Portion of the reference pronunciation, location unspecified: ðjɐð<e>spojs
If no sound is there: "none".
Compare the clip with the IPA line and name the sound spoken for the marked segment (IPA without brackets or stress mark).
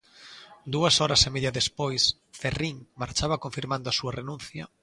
e